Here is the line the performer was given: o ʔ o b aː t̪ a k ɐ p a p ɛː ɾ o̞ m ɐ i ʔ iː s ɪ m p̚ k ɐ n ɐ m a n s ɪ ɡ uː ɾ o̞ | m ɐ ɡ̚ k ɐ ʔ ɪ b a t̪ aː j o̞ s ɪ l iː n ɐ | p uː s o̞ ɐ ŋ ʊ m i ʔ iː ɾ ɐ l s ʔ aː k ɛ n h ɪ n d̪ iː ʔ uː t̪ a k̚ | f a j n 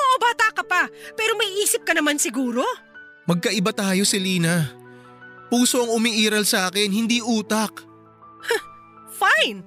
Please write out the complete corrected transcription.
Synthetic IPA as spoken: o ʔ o b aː t̪ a k ɐ p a p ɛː ɾ o̞ m ɐ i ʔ iː s ɪ p̚ k ɐ n ɐ m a n s ɪ ɡ uː ɾ o̞ | m ɐ ɡ̚ k ɐ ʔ ɪ b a t̪ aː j o̞ s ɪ l iː n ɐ | p uː s o̞ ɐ ŋ ʊ m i ʔ iː ɾ ɐ l s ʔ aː k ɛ n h ɪ n d̪ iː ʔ uː t̪ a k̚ | f a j n